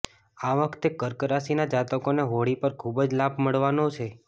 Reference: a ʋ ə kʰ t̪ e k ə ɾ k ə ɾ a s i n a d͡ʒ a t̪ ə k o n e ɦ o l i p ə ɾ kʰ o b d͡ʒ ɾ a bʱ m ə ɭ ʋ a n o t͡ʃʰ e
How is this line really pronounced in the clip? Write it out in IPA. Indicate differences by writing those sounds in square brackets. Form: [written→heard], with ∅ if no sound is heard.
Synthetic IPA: a ʋ ə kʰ t̪ e k ə ɾ k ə ɾ a s i n a d͡ʒ a t̪ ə k o n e ɦ o [l→ɽ] i p ə ɾ kʰ [o→u] b d͡ʒ [ɾ→l] a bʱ m ə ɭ ʋ a n o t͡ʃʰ e

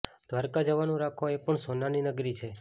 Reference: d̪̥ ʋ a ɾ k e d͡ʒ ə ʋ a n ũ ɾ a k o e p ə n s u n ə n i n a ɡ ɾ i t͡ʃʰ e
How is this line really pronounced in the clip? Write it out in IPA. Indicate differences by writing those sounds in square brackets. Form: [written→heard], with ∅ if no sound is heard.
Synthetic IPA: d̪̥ ʋ a ɾ k [e→a] d͡ʒ ə ʋ a n ũ ɾ a [k→kʰ] o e p ə [n→ɳ] s [u→o] n [ə→a] n i n [a→ə] ɡ ɾ i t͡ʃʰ e

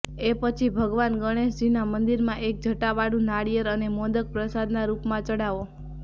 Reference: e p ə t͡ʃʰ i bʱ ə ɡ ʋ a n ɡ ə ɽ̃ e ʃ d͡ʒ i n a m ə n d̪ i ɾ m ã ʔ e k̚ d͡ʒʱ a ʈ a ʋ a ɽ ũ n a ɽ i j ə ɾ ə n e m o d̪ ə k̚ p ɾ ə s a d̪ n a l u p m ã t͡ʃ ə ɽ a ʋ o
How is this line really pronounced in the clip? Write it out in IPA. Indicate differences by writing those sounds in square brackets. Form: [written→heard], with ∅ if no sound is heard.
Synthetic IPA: e p ə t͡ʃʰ i bʱ ə ɡ ʋ a n ɡ ə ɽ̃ e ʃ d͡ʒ i n a m ə n d̪ i ɾ m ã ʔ e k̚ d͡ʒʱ [a→ə] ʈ a ʋ a ɽ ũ n a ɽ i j ə ɾ ə n e m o d̪ ə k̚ p ɾ ə s a d̪ n a [l→ɾ] u p m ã t͡ʃ ə ɽ a ʋ o

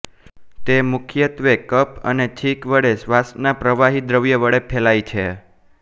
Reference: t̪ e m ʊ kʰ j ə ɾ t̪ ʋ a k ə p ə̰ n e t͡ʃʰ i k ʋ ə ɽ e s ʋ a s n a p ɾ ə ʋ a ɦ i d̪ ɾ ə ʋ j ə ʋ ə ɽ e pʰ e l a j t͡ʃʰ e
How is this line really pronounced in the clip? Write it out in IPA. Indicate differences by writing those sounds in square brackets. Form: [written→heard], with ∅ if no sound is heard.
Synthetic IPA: t̪ e m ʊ kʰ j ə [ɾ→∅] t̪ ʋ [a→e] k ə p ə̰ n e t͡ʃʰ i k ʋ ə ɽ e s ʋ a s n a p ɾ ə ʋ a ɦ i d̪ ɾ ə ʋ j ə ʋ ə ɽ e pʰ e l a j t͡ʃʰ e

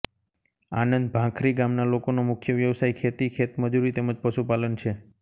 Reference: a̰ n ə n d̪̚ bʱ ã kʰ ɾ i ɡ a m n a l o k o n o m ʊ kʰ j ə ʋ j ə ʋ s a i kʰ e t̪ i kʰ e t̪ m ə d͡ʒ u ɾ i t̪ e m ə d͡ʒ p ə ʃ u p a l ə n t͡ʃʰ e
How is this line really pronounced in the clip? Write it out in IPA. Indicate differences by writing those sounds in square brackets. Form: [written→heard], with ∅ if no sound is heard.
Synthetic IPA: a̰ n ə n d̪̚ bʱ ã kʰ ɾ i ɡ a m n a l o k o n o m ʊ kʰ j ə ʋ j ə ʋ s a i kʰ e t̪ i kʰ e t̪ m ə d͡ʒ u ɾ i t̪ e m ə d͡ʒ p ə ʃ u p a l ə n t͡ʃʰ e

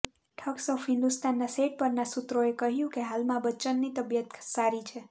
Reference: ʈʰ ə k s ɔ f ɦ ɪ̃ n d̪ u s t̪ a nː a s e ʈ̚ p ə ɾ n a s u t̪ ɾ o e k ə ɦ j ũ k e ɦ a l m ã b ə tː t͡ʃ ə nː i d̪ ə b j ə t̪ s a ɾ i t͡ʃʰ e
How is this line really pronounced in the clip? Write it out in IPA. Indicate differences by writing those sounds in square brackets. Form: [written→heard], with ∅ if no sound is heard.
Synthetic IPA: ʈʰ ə k s ɔ f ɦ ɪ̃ n d̪ u s t̪ a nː a s e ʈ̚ p ə ɾ n a s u t̪ ɾ o e k ə ɦ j ũ k e ɦ a l m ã b ə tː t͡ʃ ə nː i [d̪→t̪] ə b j ə t̪ s a ɾ i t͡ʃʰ e

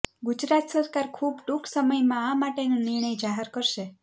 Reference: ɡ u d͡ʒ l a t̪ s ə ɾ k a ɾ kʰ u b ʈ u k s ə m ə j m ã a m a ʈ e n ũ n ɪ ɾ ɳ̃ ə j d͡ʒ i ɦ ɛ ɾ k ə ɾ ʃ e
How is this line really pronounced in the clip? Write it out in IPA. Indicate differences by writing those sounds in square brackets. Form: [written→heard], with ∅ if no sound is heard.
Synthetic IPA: ɡ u d͡ʒ [l→ɾ] a t̪ s ə ɾ k a ɾ kʰ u b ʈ u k s ə m ə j m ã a m a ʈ e n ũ n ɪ ɾ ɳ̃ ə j d͡ʒ [i→a] ɦ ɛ ɾ k ə ɾ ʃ e

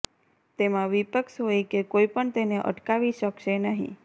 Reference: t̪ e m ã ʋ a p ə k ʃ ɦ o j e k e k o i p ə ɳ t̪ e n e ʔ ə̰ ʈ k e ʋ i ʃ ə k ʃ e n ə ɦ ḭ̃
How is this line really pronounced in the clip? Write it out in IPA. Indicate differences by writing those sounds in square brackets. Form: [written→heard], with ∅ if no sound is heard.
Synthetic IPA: t̪ e m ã ʋ [a→i] p ə k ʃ ɦ o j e k e k o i p ə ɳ t̪ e n e ʔ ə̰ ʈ k [e→a] ʋ i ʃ ə k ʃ e n ə ɦ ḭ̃

